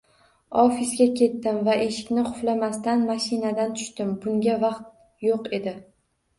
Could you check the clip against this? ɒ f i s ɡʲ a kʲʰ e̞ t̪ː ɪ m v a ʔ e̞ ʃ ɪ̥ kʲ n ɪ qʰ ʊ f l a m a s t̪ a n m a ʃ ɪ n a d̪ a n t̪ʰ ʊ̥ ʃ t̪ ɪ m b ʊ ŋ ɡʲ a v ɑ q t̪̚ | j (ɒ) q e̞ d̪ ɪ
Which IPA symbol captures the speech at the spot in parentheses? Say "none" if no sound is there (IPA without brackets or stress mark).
o